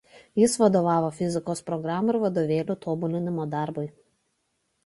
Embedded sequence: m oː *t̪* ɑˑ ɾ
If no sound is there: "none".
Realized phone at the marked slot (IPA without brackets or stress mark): d̪